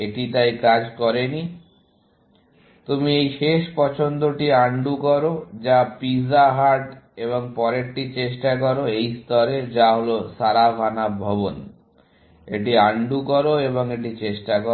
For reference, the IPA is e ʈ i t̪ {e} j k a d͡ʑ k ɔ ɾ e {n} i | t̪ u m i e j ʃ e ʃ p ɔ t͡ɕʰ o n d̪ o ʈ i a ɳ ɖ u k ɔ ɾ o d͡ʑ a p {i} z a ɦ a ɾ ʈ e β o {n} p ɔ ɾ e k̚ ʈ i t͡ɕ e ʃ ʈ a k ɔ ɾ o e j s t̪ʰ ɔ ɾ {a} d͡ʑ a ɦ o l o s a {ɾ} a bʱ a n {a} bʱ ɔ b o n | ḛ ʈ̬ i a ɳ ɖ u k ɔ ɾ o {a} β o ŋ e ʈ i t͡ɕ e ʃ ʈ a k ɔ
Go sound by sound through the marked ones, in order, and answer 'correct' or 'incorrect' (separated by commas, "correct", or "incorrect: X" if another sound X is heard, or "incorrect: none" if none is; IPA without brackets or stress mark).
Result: incorrect: a, correct, correct, incorrect: ŋ, incorrect: e, correct, correct, incorrect: e